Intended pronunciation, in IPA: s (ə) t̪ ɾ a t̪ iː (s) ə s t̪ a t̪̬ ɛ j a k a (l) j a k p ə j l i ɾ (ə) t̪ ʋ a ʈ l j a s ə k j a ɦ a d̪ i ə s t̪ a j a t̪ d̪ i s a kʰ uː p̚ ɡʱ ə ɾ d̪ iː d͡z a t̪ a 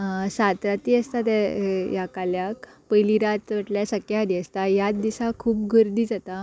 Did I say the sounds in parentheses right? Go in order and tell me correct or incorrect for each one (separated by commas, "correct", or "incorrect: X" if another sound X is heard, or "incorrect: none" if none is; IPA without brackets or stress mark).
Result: incorrect: a, incorrect: none, correct, incorrect: a